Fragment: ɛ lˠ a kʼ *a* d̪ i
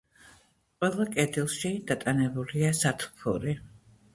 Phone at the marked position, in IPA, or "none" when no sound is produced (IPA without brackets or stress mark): ɛ